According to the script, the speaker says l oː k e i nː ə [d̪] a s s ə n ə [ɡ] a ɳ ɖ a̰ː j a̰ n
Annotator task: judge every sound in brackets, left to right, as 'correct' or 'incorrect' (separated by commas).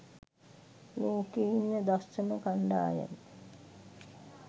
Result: correct, incorrect